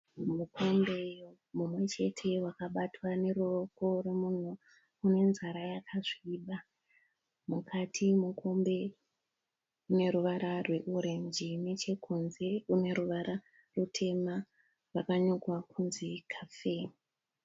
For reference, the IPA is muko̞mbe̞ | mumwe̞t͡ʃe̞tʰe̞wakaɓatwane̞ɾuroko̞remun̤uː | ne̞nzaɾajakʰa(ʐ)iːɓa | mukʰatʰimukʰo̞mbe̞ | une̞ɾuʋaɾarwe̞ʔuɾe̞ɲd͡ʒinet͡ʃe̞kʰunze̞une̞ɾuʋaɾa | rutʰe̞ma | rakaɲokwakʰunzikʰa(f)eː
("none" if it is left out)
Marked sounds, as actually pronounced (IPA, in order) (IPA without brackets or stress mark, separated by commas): ʐ, f